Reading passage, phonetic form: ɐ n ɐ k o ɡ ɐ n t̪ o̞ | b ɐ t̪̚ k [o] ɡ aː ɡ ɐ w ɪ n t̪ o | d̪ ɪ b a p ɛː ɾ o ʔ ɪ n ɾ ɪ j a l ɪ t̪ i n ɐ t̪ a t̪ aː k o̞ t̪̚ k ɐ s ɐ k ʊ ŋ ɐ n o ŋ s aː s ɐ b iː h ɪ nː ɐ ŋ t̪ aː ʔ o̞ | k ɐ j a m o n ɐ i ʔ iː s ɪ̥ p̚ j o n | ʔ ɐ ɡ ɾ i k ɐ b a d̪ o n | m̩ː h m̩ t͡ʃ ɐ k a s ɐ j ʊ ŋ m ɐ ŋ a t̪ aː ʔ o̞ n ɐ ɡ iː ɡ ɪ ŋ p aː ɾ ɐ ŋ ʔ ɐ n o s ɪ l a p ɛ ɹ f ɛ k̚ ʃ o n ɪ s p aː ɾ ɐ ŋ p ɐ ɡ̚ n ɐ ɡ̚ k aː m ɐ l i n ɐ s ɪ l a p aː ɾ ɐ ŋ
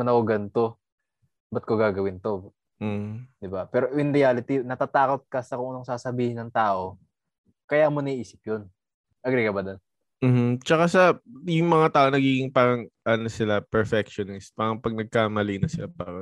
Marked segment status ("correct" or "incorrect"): correct